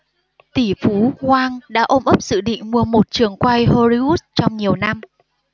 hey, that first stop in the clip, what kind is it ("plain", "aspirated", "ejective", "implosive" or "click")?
plain